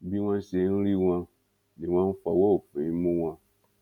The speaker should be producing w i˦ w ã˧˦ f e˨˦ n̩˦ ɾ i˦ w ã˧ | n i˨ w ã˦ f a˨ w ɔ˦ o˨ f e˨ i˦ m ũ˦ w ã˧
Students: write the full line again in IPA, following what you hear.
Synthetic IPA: b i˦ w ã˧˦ s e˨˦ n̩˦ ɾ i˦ w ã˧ | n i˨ w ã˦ f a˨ w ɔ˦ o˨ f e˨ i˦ m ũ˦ w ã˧